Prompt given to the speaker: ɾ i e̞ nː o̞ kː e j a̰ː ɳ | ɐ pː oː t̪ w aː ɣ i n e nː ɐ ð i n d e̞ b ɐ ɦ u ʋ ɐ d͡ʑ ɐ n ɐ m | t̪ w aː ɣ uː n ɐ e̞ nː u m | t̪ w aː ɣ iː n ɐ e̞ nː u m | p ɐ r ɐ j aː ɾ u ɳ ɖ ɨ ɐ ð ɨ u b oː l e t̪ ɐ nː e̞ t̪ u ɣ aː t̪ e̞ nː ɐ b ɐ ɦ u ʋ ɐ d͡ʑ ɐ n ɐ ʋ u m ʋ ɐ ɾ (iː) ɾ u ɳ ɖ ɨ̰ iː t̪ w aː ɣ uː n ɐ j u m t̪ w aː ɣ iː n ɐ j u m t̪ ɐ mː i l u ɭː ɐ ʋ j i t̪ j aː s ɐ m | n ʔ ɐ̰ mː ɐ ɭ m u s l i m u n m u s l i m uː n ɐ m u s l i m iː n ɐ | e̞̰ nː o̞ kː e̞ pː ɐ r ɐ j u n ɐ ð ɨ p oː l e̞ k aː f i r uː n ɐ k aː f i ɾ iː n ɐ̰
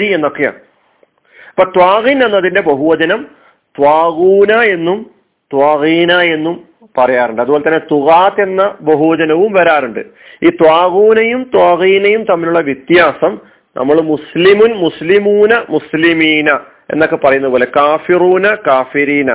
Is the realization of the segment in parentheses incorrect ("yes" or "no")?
yes